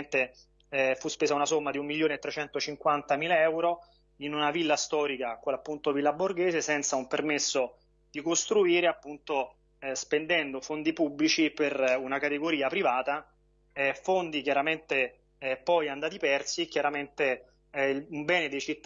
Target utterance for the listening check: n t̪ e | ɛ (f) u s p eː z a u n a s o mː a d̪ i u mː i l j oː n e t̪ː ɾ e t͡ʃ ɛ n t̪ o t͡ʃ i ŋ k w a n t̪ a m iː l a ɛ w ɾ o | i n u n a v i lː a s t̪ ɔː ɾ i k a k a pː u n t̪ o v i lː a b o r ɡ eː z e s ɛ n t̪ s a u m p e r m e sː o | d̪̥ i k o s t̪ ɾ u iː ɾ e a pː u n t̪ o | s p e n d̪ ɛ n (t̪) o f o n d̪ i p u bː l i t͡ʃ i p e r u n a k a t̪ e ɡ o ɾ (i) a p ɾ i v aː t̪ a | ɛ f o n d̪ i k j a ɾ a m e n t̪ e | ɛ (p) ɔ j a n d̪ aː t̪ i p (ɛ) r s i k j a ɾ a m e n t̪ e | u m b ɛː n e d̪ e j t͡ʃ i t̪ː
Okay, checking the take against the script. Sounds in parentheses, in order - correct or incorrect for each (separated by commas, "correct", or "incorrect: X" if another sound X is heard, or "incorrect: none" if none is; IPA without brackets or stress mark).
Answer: correct, incorrect: d̪, incorrect: iː, correct, correct